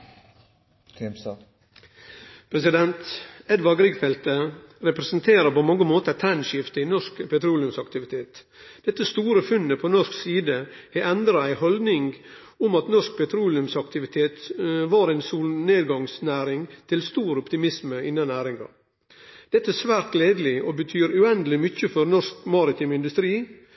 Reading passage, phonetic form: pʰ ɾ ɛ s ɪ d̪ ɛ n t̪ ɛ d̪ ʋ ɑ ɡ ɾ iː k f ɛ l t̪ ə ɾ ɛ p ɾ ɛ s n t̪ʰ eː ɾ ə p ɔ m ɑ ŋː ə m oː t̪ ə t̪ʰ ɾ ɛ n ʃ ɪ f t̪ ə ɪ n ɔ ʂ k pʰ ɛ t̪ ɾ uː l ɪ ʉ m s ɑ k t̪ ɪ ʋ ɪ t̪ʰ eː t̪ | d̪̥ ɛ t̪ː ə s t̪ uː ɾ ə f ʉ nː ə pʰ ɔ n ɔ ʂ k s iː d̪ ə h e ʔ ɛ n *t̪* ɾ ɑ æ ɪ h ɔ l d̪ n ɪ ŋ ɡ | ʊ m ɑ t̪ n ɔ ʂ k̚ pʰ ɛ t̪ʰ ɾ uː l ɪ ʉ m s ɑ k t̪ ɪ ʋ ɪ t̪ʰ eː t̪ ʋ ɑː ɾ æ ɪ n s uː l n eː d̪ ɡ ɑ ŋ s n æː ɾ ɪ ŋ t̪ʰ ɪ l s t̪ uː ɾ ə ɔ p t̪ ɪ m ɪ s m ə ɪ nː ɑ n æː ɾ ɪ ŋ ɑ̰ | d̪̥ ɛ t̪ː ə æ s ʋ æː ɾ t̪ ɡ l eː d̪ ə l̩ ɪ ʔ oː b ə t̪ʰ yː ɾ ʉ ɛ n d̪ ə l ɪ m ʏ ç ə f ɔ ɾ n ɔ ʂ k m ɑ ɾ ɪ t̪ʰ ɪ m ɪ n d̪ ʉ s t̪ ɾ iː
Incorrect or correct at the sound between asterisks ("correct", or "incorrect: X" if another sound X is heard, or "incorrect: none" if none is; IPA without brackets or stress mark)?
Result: incorrect: d̪